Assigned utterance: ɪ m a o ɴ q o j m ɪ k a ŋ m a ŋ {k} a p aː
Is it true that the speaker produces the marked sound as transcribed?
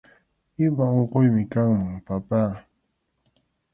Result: no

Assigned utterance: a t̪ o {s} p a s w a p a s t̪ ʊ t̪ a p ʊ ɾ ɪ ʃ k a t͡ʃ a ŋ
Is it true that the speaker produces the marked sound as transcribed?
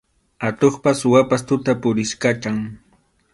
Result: no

